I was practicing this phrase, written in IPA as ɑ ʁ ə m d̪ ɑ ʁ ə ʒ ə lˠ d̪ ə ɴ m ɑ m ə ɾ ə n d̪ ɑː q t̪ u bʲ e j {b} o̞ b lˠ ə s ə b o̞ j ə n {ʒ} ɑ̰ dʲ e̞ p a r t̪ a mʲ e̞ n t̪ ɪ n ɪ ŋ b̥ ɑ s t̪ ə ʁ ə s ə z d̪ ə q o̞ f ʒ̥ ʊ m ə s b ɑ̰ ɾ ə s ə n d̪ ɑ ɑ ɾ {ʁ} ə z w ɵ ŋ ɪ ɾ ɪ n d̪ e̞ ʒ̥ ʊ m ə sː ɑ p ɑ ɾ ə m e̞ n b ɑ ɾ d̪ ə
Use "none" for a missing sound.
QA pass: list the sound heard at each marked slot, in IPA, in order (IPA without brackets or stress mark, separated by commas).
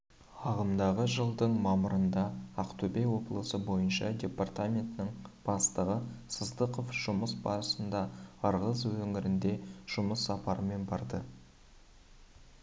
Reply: w, ʃ, ʁ